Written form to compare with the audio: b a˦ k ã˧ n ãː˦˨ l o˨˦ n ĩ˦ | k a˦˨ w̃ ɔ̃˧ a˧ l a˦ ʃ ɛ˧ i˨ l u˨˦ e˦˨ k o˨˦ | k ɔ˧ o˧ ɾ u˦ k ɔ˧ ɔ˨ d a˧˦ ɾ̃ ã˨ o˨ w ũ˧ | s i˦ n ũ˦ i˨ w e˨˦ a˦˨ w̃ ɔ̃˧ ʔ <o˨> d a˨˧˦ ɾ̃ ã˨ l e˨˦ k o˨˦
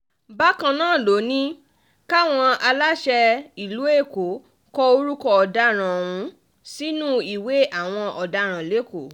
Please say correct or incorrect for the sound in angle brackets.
incorrect: ɔ˨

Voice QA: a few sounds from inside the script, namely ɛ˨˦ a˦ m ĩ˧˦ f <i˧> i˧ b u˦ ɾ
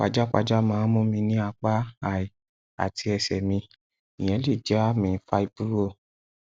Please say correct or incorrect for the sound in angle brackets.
incorrect: a˧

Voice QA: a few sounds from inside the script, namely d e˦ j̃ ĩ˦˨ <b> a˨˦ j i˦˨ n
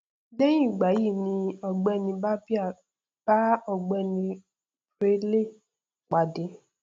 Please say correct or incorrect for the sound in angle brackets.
incorrect: ɡ͡b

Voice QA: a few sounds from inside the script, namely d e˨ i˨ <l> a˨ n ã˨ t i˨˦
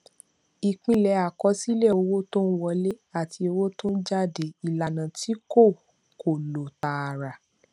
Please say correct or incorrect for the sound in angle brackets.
correct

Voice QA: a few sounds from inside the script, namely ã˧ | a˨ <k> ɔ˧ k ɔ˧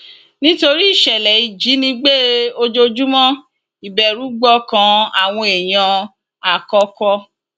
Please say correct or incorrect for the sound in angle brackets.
correct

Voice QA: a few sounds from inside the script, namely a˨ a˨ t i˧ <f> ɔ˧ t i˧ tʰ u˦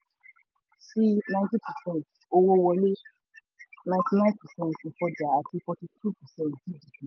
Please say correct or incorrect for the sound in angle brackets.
correct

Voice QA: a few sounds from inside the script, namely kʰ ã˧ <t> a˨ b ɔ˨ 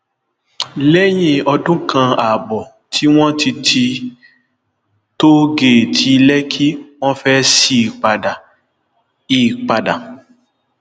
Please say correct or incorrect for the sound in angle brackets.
incorrect: none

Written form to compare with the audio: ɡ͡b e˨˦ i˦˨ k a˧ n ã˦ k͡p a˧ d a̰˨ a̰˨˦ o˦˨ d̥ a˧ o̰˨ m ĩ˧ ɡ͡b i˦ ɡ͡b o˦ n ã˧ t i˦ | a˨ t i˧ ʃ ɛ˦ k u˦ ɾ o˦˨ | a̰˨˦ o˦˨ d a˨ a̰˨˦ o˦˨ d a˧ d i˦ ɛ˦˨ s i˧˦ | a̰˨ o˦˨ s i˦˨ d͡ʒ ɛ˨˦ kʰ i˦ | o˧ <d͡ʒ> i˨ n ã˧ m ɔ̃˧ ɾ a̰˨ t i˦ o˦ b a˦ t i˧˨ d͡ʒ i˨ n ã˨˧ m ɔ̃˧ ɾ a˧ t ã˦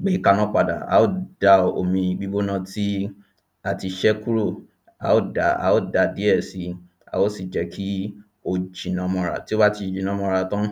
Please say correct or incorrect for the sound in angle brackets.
correct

